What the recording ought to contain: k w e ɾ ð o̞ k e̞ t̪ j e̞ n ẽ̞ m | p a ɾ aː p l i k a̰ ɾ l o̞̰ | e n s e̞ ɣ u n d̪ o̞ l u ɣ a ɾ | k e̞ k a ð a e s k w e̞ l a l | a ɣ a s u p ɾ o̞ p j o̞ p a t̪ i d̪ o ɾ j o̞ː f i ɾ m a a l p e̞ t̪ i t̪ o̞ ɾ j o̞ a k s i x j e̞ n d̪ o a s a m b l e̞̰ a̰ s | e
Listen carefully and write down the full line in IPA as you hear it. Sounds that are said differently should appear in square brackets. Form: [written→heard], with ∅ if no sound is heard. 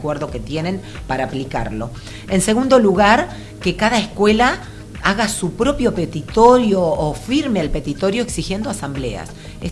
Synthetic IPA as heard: k w e ɾ ð o̞ k e̞ t̪ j e̞ n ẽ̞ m | p a ɾ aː p l i k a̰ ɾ l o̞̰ | e n s e̞ ɣ u n d̪ o̞ l u ɣ a ɾ | k e̞ k a ð a e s k w e̞ l a [l→∅] | a ɣ a s u p ɾ o̞ p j o̞ p [a→e] t̪ i [d̪→t̪] o ɾ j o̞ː f i ɾ m [a→e] a l p e̞ t̪ i t̪ o̞ ɾ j o̞ [a→e] k s i x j e̞ n d̪ o a s a m b l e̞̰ a̰ s | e